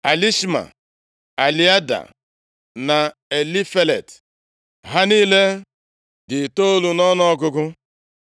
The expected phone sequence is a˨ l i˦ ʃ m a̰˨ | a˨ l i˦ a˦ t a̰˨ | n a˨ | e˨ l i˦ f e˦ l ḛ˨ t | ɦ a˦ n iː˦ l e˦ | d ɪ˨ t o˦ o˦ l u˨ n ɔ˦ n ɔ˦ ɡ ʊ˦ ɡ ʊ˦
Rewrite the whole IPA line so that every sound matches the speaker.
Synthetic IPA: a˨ l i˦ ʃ m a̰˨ | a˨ l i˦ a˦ d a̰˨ | n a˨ | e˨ l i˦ f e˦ l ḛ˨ t | ɦ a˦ n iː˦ l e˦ | d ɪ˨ t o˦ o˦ l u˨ n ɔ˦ n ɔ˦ ɡ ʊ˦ ɡ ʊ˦